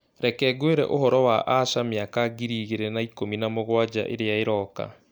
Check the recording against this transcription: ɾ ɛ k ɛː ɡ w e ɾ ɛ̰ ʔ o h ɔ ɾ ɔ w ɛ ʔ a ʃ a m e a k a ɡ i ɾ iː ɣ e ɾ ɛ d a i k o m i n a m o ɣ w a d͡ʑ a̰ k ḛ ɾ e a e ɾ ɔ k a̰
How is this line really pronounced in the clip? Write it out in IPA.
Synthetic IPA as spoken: ɾ ɛ k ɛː ɡ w e ɾ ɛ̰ ʔ o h ɔ ɾ ɔ w a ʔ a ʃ a m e a k a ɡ i ɾ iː ɣ e ɾ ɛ n a i k o m i n a m o ɣ w a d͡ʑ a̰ ʔ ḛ ɾ e a e ɾ ɔ k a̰